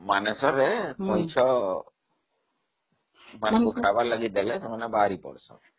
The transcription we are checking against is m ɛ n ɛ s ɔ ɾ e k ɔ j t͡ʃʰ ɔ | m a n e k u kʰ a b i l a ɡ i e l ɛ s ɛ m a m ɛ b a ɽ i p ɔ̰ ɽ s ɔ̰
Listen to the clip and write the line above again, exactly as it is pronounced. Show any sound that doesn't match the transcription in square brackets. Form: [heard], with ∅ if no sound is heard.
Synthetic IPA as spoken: m [a] n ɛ s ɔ ɾ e k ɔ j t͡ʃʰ ɔ | m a n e k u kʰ a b [a] l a ɡ i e l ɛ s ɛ m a [n] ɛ b a [ɾ] i p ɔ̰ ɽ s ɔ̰

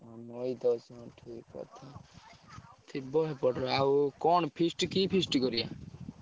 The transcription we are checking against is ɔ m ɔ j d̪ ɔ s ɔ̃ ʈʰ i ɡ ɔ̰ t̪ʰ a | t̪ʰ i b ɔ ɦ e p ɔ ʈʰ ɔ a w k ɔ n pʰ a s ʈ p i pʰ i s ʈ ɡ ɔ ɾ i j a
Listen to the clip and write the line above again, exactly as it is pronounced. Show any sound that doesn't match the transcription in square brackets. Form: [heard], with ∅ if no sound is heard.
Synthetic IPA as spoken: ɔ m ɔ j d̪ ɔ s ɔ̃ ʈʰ i [k] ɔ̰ t̪ʰ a | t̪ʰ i b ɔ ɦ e p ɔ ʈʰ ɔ a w k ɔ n pʰ [i] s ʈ [k] i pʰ i s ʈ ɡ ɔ ɾ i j a

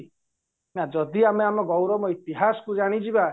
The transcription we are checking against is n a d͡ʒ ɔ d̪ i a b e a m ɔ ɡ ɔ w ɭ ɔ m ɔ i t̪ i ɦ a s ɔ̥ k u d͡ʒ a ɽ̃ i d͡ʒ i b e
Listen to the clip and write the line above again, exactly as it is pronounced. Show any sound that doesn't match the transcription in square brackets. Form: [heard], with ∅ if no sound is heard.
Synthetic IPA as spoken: n a d͡ʒ ɔ d̪ i a [m] e a m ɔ ɡ ɔ w [ɾ] ɔ m ɔ i t̪ i ɦ a s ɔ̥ k u d͡ʒ a ɽ̃ i d͡ʒ i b [a]

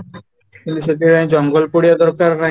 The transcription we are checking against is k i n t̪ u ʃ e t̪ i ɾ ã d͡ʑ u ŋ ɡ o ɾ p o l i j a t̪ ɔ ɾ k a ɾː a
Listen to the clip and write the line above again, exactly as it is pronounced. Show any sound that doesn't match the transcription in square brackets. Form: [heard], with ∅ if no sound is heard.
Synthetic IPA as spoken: k i n t̪ u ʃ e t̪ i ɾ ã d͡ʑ [ɔ] ŋ ɡ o [l] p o [ɽ] i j a [d̪] ɔ ɾ k a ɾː a

